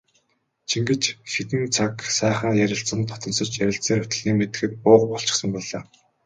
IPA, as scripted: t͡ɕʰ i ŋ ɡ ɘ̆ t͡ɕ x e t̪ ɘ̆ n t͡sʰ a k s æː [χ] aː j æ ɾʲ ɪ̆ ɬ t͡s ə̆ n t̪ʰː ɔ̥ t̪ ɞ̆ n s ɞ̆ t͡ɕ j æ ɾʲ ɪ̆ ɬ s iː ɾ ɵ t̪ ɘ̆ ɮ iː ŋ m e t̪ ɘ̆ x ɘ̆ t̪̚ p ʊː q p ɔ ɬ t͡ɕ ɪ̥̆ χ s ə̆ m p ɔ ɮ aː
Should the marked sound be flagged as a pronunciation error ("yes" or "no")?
no